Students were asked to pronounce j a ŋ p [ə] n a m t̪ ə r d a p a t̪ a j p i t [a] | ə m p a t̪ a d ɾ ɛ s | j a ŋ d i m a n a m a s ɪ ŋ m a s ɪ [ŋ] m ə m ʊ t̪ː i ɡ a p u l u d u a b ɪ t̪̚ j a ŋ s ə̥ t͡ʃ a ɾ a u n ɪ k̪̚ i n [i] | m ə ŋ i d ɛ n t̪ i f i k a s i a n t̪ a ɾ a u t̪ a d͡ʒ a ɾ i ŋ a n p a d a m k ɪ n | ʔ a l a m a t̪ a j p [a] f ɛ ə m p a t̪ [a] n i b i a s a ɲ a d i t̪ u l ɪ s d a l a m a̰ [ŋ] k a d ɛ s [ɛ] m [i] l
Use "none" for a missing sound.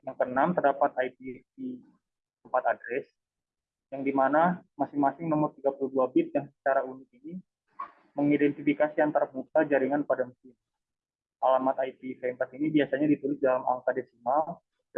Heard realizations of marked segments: ə, i, ŋ, i, i, i, ŋ, i, a

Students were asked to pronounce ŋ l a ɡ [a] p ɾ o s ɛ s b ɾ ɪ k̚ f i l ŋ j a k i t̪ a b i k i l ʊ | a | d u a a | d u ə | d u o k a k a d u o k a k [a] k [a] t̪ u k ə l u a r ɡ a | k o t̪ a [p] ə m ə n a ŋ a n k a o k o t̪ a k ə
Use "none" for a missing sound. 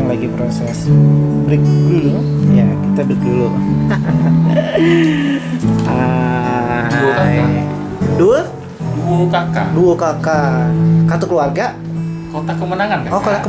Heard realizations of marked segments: i, a, a, k

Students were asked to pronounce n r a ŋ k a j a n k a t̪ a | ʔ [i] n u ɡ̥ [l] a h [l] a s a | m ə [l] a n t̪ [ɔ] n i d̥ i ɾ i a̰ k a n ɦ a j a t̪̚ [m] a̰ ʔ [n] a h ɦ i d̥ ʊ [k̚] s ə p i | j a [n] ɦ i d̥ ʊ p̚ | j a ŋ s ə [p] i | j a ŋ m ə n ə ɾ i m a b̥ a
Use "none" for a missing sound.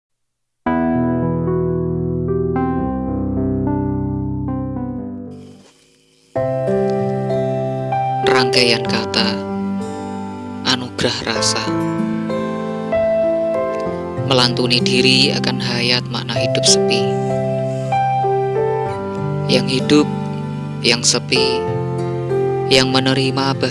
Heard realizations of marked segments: a, ɾ, r, l, u, m, n, p̚, ŋ, p

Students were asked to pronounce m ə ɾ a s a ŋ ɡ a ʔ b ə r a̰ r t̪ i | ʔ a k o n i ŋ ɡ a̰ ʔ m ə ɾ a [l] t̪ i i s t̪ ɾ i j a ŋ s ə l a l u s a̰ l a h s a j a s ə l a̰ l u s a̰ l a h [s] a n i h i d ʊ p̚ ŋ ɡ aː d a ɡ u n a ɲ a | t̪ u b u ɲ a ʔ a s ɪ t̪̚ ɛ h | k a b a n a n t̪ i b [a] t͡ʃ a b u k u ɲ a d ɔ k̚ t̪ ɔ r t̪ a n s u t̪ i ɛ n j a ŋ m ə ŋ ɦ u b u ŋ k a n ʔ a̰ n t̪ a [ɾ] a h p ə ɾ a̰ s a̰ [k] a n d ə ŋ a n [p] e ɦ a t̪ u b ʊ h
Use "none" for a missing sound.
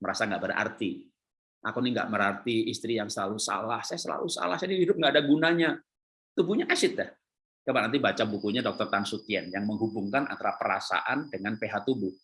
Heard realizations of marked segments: r, s, a, ɾ, ʔ, p

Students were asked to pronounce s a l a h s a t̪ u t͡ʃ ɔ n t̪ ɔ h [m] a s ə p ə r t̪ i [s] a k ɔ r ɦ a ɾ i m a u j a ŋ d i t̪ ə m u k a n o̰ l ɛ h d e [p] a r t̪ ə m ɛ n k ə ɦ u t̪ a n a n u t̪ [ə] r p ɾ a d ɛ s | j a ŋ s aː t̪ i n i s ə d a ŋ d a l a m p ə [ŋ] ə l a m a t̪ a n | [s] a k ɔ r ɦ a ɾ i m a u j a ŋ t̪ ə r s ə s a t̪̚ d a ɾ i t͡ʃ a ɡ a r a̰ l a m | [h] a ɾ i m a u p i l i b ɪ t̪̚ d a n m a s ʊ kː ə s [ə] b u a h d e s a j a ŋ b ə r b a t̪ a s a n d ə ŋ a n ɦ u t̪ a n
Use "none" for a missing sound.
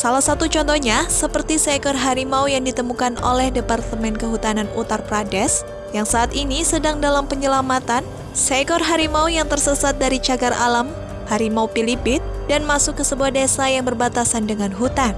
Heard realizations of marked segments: ɲ, s, p, a, ɲ, s, h, ə

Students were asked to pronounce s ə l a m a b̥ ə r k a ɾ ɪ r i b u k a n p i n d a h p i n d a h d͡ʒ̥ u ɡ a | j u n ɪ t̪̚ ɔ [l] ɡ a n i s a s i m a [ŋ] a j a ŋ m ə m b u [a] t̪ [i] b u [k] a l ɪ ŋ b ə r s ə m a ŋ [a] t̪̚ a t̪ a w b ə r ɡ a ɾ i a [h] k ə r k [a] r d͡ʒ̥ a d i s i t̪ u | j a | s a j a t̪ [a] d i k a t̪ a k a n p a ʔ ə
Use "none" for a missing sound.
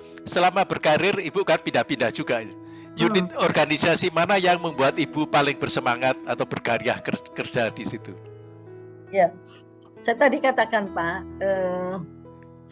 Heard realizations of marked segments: r, n, a, i, p, a, h, ə, a

